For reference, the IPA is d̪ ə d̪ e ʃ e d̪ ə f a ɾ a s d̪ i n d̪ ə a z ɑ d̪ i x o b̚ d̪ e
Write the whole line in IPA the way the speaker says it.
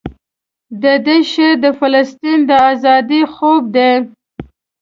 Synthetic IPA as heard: d̪ ə d̪ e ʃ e d̪ ə f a l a s t̪ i n d̪ ə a z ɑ d̪ i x o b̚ d̪ e

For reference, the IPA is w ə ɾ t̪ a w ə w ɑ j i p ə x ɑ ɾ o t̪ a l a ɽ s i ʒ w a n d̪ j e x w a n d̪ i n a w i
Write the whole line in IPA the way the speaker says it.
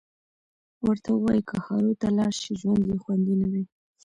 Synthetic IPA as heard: w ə ɾ t̪ a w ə w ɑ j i k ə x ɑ ɾ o t̪ a l ɑ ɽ ʃ i ʒ w a n d̪ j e x w a n d̪ i n a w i

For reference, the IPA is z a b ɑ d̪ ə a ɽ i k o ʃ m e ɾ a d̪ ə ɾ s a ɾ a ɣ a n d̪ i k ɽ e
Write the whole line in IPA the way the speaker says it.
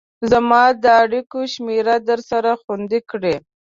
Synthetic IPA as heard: z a m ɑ d̪ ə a ɽ i k o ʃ m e ɾ a d̪ ə ɾ s a ɾ a x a n d̪ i k ɽ e

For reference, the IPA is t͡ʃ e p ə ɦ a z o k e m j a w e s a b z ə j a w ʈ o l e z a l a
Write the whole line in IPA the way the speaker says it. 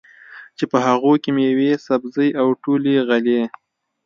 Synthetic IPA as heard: t͡ʃ e p ə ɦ a ɣ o k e m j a w e s a b z ə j a w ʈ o l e ɣ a l e

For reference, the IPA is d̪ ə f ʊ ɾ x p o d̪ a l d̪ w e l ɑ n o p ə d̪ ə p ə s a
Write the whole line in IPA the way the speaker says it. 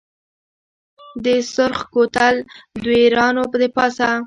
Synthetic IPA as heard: d̪ ə s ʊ ɾ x k o t̪ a l d̪ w e ɾ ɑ n o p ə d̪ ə p ɑ s a

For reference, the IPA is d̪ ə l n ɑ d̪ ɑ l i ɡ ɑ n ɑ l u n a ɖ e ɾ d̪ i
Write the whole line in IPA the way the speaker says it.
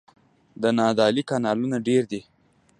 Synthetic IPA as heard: d̪ ə n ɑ d̪ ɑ l i k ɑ n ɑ l u n a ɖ e ɾ d̪ i

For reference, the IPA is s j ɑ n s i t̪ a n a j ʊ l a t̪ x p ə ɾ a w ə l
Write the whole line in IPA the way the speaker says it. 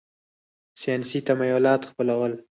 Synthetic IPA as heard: s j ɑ n s i t̪ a m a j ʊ l ɑ t̪ x p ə l a w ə l

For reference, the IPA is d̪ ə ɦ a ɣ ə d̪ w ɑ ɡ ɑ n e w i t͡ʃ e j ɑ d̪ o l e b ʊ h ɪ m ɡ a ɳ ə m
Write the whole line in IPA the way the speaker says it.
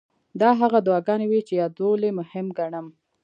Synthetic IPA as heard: d̪ ɑ ɦ a ɣ a d̪ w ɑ ɡ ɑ n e w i t͡ʃ e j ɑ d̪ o l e m ʊ h ɪ m ɡ a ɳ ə m

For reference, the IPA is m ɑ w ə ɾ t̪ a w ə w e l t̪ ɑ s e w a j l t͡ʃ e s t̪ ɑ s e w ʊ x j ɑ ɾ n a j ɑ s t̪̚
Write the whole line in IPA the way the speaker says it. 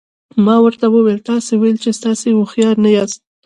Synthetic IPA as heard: m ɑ w ə ɾ t̪ a w ə w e l t̪ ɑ s e w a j l t͡ʃ e s t̪ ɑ s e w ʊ x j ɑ ɾ n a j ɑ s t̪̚

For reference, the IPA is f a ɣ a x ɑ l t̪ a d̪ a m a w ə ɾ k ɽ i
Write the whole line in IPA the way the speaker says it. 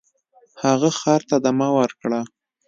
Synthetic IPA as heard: h a ɣ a x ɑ ɾ t̪ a d̪ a m a w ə ɾ k ɽ a

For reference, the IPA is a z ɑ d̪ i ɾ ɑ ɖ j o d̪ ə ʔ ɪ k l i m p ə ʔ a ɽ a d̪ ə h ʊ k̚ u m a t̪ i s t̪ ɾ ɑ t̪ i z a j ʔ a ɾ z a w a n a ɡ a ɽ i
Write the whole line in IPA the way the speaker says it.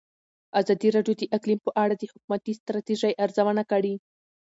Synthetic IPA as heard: a z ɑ d̪ i ɾ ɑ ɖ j o d̪ ə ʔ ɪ k l i m p ə ʔ a ɽ a d̪ ə h ʊ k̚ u m a t̪ i s t̪ ɾ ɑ t̪ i ʒ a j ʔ a ɾ z a w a n a k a ɽ i

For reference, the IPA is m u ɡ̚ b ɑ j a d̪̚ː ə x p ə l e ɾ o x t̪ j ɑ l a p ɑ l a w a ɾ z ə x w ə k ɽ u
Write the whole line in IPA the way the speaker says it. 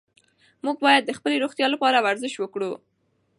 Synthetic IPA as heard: m u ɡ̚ b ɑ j a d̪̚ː ə x p ə l e ɾ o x t̪ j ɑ l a p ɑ ɾ a w a ɾ z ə ʃ w ə k ɽ u

